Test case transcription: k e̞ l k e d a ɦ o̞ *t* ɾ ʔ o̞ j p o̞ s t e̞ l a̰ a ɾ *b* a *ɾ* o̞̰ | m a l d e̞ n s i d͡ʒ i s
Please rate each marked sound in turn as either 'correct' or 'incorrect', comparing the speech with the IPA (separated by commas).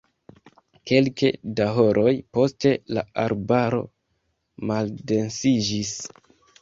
incorrect, correct, correct